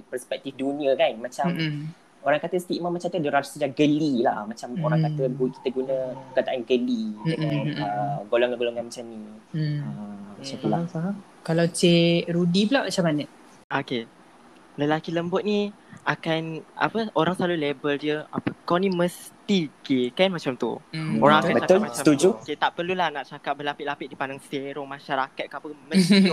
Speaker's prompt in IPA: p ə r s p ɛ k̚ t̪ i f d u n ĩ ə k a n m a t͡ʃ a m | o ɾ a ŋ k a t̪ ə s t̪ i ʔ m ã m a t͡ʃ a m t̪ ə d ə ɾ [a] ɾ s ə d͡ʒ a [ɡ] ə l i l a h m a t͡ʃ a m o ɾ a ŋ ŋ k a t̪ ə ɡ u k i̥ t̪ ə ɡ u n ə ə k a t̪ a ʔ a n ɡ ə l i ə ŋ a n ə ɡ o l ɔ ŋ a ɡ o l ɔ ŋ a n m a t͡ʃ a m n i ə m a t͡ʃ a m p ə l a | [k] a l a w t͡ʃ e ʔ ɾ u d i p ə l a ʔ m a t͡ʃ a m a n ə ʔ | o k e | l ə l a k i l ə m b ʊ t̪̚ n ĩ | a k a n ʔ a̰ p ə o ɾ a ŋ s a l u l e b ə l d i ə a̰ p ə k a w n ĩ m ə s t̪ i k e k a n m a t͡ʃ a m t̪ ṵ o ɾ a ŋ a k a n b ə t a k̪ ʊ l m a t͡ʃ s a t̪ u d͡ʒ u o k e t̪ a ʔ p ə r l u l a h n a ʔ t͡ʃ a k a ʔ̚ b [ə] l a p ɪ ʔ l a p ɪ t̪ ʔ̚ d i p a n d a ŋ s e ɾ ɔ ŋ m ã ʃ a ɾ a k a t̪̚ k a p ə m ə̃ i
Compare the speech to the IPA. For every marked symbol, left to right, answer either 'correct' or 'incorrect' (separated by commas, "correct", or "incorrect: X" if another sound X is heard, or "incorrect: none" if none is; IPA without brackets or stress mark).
correct, correct, correct, correct